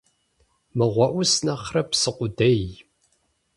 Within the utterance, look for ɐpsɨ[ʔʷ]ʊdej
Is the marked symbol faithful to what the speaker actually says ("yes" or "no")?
no